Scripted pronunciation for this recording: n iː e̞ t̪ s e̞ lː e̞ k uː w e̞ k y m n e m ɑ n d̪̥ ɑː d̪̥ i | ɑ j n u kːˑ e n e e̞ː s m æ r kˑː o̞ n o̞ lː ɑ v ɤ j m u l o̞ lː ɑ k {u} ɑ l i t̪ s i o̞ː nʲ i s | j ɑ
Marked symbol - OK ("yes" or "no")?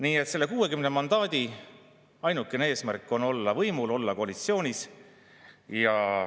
no